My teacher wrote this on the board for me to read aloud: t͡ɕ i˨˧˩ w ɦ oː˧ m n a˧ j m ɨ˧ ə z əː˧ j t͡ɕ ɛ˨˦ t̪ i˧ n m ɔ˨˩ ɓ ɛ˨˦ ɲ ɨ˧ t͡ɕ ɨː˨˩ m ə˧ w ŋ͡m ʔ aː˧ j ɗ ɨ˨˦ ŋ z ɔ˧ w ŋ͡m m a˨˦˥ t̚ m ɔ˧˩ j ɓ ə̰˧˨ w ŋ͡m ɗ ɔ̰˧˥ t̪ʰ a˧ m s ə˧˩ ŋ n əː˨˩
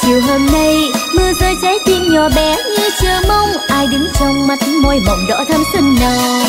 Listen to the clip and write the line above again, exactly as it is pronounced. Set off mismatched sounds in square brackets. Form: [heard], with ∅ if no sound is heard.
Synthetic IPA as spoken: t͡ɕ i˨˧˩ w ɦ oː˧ m n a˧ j m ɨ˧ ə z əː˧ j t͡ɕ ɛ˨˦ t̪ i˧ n [ɲ] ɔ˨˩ ɓ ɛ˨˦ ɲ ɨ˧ t͡ɕ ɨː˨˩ m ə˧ w ŋ͡m ʔ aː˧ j ɗ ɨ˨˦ ŋ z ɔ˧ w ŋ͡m m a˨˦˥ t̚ m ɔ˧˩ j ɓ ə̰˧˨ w ŋ͡m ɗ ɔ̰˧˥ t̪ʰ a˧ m s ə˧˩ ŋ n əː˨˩

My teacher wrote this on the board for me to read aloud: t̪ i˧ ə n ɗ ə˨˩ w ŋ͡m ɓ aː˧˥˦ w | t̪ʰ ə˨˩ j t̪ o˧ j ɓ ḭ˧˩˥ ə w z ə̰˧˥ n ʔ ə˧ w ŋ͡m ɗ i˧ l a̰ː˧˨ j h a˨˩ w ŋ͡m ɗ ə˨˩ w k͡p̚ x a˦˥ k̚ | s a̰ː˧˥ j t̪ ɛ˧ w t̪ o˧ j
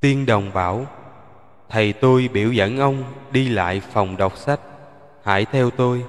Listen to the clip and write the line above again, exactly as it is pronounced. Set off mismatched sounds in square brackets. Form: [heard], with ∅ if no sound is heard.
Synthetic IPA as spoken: t̪ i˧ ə n ɗ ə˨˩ w ŋ͡m ɓ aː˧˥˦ w | t̪ʰ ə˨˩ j t̪ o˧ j ɓ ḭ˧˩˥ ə w z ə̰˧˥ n ʔ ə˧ w ŋ͡m ɗ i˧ l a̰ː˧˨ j [f] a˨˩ w ŋ͡m ɗ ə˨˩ w k͡p̚ [s] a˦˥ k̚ | [h] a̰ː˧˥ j [t̪ʰ] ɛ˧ w t̪ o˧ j

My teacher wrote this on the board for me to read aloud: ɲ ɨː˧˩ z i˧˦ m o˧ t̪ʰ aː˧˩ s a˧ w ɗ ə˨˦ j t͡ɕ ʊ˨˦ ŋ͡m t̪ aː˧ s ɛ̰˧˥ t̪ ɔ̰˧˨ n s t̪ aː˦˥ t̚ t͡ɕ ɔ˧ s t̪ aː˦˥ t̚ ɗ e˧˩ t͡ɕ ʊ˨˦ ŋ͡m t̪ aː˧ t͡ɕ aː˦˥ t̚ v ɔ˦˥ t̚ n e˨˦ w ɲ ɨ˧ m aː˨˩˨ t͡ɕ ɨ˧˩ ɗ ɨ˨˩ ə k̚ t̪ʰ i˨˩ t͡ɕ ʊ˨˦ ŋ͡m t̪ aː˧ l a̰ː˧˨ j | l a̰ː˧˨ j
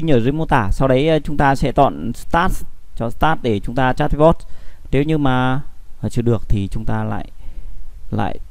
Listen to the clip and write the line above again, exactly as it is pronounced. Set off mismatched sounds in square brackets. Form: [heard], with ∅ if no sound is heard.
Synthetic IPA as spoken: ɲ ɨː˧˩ z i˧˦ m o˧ [t̪] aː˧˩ s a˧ w ɗ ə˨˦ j t͡ɕ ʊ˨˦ ŋ͡m t̪ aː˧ s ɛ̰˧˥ t̪ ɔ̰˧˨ n s t̪ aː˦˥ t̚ t͡ɕ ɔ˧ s t̪ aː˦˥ t̚ ɗ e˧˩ t͡ɕ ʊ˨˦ ŋ͡m t̪ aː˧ t͡ɕ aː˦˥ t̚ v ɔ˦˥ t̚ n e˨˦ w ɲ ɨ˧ m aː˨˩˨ t͡ɕ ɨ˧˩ ɗ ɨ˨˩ ə k̚ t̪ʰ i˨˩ t͡ɕ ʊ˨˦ ŋ͡m t̪ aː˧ l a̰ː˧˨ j | l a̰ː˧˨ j

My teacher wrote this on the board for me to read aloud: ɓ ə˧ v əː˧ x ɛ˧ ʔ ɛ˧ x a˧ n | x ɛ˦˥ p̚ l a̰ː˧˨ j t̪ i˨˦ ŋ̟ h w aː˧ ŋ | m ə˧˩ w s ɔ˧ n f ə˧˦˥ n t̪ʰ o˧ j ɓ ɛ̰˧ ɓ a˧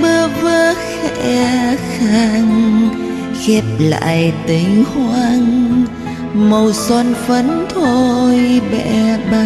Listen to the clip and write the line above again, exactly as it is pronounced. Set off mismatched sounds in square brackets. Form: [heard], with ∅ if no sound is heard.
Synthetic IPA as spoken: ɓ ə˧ v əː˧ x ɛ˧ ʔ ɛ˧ x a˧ [ŋ] | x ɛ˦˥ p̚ l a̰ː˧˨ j t̪ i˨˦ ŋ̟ h w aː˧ ŋ | m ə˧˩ w s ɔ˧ n f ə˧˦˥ n t̪ʰ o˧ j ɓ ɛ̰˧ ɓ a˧

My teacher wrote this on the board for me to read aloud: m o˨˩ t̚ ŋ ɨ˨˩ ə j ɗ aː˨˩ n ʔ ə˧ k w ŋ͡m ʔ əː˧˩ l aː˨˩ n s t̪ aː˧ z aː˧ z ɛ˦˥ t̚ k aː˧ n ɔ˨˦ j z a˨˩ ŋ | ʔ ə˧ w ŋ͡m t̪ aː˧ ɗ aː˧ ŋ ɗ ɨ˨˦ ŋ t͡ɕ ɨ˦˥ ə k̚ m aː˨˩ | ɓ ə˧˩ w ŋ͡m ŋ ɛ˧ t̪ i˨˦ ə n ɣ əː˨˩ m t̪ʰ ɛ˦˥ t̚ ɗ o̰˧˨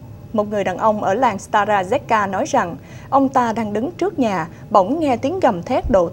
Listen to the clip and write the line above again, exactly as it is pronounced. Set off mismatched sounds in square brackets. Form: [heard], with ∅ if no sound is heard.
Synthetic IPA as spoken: m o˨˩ t̚ ŋ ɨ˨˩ ə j ɗ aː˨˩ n ʔ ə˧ [∅] w ŋ͡m ʔ əː˧˩ l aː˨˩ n s t̪ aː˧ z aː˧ z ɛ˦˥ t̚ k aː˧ n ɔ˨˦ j z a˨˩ ŋ | ʔ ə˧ w ŋ͡m t̪ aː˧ ɗ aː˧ ŋ ɗ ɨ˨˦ ŋ t͡ɕ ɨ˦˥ ə k̚ [ɲ] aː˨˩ | ɓ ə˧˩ w ŋ͡m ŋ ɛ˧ t̪ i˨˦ ə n ɣ [ə˨˩] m t̪ʰ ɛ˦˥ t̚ ɗ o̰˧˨

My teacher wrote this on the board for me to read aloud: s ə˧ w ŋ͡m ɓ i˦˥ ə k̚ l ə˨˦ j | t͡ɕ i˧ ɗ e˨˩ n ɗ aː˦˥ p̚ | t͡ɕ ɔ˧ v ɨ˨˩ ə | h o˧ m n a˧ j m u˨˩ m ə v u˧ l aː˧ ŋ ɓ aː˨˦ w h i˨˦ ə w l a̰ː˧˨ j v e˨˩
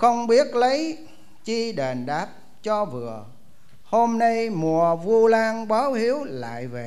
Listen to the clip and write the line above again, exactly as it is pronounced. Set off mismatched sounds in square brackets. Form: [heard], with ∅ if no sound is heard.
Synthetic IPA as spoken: [x] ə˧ w ŋ͡m ɓ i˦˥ ə [t̚] l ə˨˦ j | t͡ɕ i˧ ɗ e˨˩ n ɗ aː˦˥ p̚ | t͡ɕ ɔ˧ v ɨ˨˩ ə | h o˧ m n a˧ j m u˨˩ [∅] ə v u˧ l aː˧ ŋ ɓ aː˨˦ w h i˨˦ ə w l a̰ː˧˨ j v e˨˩

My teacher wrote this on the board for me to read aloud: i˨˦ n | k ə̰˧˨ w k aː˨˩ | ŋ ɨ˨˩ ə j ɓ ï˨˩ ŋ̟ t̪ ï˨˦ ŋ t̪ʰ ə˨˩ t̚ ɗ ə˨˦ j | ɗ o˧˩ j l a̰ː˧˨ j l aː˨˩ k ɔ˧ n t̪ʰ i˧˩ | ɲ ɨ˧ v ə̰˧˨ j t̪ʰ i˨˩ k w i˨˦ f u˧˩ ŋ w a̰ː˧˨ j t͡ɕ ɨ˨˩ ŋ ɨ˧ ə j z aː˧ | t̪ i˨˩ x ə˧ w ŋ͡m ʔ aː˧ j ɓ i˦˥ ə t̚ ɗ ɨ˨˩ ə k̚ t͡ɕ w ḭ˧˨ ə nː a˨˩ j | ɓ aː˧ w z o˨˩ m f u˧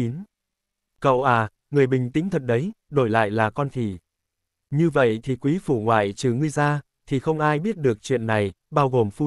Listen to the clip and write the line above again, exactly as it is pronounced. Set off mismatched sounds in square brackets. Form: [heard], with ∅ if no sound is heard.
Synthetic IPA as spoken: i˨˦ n | k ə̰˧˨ w [ʔ] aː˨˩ | ŋ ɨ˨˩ ə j ɓ ï˨˩ ŋ̟ t̪ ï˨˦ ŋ t̪ʰ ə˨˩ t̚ ɗ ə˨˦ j | ɗ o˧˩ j l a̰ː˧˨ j l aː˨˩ k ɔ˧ n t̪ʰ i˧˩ | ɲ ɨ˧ v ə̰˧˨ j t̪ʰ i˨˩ k w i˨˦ f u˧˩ ŋ w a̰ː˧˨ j t͡ɕ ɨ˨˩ ŋ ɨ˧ ə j z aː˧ | [t̪ʰ] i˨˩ x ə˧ w ŋ͡m ʔ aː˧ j ɓ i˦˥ ə t̚ ɗ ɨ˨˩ ə k̚ t͡ɕ w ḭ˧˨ ə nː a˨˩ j | ɓ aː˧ w [ɣ] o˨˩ m f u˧

